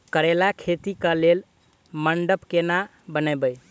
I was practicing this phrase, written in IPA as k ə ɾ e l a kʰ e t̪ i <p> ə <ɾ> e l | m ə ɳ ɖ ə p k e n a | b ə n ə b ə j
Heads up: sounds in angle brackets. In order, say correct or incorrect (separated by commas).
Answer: incorrect, incorrect